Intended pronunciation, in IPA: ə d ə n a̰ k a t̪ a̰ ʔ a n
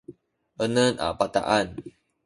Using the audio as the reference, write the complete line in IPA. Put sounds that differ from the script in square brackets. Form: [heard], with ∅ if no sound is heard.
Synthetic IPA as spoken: ə [n] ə n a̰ [p] a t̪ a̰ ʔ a n

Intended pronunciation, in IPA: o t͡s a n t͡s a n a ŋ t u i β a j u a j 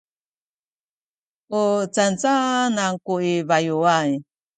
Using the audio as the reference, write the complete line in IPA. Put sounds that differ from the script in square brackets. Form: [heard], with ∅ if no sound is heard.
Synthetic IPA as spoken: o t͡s a n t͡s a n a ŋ [k] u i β a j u a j

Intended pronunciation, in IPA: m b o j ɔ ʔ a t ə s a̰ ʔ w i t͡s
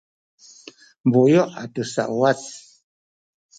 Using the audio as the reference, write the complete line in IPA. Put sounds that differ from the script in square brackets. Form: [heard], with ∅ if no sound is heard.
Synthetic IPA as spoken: m b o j ɔ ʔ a t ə s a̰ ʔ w [a] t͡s

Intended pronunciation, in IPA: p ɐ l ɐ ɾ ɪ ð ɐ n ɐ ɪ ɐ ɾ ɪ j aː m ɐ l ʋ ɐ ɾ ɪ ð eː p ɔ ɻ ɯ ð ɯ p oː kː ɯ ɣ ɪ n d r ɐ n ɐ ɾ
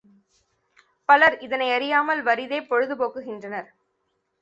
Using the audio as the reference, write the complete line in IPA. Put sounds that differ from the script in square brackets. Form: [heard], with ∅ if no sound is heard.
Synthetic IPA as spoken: p ɐ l ɐ ɾ ɪ ð ɐ n ɐ ɪ ɐ ɾ ɪ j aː m ɐ l ʋ ɐ ɾ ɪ ð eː p ɔ ɻ ɯ ð ɯ p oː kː ɯ ɣ ɪ n d r ɐ n ɐ ɾ

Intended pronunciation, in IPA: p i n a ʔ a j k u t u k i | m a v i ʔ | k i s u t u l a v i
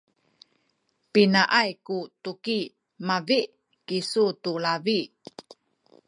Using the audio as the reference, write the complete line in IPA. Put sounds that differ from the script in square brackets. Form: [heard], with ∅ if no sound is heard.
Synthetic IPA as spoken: p i n a ʔ a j k u t u k i | m a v i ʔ | k i s u t u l a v i

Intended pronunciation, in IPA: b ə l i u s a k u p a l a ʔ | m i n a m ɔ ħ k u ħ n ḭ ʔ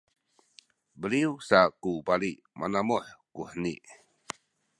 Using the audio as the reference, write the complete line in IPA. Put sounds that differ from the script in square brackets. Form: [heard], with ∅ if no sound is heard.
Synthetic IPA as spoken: b ə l i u s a k u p a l [i] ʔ | m [a] n a m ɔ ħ k u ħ n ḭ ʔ

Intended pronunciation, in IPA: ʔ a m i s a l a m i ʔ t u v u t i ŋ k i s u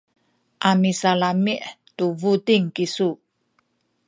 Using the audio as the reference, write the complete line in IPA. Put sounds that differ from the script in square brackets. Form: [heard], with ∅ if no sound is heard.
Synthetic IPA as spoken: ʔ a m i s a l a m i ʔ t u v u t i ŋ k i s u

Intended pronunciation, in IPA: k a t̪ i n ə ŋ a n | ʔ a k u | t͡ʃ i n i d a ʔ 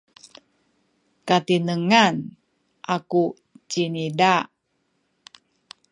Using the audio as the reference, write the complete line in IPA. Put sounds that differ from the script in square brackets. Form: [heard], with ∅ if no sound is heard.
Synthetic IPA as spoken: k a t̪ i n ə ŋ a n | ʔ a k u | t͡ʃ i n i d a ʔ

